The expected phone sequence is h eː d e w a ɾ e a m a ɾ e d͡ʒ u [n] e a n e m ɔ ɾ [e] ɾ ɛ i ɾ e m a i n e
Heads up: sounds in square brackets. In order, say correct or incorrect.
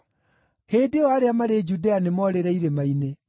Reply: incorrect, correct

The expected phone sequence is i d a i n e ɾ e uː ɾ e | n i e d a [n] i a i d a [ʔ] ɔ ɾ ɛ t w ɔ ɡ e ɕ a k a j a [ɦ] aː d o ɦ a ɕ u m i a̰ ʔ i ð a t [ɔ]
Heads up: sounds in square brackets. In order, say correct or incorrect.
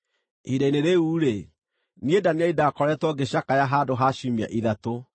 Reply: correct, incorrect, correct, incorrect

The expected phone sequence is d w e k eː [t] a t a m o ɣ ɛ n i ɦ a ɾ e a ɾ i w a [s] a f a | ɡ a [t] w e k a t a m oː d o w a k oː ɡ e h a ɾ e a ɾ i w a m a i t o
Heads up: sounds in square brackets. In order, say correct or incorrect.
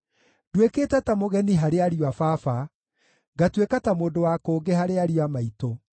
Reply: correct, incorrect, correct

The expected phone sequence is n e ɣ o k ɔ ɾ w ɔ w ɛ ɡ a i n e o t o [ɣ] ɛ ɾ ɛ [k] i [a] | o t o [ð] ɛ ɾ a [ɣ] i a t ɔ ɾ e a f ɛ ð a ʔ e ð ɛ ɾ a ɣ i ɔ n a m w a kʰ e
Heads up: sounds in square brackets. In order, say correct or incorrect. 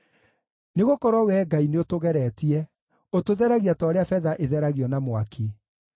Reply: correct, incorrect, incorrect, correct, correct

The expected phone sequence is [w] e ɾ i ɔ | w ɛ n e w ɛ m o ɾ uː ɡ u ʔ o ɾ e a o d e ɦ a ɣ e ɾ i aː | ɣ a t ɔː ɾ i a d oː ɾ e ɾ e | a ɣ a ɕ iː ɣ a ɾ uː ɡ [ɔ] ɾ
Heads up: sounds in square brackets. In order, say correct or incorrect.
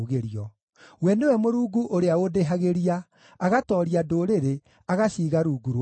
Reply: incorrect, incorrect

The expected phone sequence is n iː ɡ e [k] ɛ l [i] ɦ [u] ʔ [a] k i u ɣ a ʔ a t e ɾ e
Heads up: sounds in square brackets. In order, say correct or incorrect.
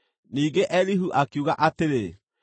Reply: incorrect, correct, correct, correct

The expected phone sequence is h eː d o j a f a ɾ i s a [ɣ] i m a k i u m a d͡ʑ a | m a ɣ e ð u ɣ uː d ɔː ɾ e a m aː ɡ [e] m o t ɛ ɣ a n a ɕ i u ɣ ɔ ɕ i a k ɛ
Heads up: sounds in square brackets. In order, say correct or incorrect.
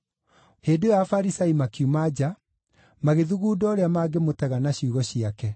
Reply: incorrect, correct

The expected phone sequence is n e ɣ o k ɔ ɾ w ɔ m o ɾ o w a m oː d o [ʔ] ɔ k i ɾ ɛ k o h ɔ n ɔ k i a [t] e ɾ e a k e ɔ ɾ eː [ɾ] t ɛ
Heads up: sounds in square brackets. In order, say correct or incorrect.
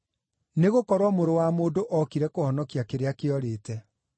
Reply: correct, incorrect, incorrect

